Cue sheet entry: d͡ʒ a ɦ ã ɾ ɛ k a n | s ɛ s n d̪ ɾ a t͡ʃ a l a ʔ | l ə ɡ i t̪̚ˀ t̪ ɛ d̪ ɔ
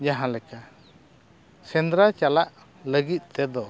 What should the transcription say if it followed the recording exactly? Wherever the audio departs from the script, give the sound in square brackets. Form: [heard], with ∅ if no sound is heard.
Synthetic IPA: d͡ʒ a ɦ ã [l] ɛ k a [∅] | s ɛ [∅] n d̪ ɾ a t͡ʃ a l a ʔ | l ə ɡ i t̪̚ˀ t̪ ɛ d̪ ɔ